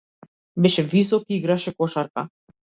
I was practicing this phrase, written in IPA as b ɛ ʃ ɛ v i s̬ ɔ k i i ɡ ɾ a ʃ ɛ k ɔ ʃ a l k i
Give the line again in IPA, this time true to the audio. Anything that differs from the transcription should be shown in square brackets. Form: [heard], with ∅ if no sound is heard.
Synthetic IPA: b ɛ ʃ ɛ v i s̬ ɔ k i i ɡ ɾ a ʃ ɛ k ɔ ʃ a [ɾ] k [a]